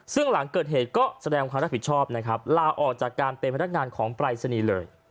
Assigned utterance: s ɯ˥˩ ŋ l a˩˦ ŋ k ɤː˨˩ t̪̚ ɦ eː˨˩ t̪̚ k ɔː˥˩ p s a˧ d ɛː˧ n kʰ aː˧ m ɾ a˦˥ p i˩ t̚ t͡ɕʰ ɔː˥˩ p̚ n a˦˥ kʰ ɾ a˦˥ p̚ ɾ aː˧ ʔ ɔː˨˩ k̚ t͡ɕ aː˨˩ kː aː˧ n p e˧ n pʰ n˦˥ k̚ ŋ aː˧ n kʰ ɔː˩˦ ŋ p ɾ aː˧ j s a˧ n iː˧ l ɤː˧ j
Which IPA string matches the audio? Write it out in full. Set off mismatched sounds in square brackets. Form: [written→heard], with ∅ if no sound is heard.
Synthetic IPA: s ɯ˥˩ ŋ l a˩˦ ŋ k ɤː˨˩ t̪̚ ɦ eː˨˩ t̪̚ k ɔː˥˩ [p→∅] s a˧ d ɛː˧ [n→ŋ] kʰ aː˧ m ɾ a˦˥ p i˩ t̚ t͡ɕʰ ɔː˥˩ p̚ n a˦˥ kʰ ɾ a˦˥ p̚ [ɾ→l] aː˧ ʔ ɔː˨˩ k̚ t͡ɕ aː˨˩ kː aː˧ n p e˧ n pʰ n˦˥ k̚ ŋ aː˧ n kʰ ɔː˩˦ ŋ p ɾ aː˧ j s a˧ n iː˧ l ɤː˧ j